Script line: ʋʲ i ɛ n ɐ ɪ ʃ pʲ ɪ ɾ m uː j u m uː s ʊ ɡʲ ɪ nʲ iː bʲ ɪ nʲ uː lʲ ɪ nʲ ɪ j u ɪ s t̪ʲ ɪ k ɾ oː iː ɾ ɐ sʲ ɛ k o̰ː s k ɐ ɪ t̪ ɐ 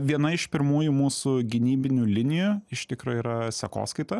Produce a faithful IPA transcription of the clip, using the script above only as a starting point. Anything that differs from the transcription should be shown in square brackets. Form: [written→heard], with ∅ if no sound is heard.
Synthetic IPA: ʋʲ i ɛ n ɐ ɪ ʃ pʲ ɪ ɾ m uː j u m uː s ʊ ɡʲ ɪ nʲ iː bʲ ɪ nʲ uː lʲ ɪ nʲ ɪ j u ɪ [s→ʃ] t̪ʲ ɪ k ɾ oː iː ɾ ɐ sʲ ɛ k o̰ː s k ɐ ɪ t̪ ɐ